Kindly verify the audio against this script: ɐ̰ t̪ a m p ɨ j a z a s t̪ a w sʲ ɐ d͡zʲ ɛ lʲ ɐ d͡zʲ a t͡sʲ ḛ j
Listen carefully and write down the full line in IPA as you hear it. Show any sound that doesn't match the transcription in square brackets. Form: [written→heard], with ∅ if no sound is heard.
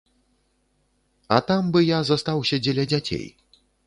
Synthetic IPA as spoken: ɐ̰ t̪ a m [p→b] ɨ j a z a s t̪ a w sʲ ɐ d͡zʲ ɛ lʲ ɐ d͡zʲ a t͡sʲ ḛ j